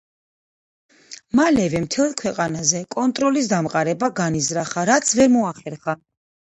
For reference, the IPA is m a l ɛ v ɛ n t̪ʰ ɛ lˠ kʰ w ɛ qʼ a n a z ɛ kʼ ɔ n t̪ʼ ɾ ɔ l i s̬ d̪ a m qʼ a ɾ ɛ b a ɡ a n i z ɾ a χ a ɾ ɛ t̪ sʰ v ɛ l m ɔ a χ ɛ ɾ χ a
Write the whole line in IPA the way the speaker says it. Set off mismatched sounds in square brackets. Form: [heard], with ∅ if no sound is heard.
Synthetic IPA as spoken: m a l ɛ v ɛ [m] t̪ʰ ɛ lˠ kʰ w ɛ qʼ a n a z ɛ kʼ ɔ n t̪ʼ ɾ ɔ l i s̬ d̪ a m qʼ a ɾ ɛ b a ɡ a n i z ɾ a χ a ɾ [a] t̪ sʰ v ɛ [ɾ] m ɔ a χ ɛ ɾ χ a